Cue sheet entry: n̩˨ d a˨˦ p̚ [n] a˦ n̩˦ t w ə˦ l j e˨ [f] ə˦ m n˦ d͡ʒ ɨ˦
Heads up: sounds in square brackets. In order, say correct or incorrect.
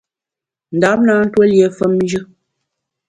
correct, correct

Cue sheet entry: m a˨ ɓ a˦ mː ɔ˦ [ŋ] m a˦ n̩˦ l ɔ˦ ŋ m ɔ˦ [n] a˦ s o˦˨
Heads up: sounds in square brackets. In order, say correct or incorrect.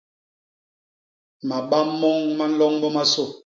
correct, incorrect: m

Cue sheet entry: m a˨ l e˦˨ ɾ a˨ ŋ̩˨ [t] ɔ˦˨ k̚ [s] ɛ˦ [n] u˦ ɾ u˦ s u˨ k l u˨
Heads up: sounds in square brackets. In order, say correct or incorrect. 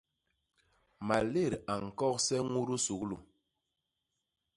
incorrect: k, correct, incorrect: ŋ

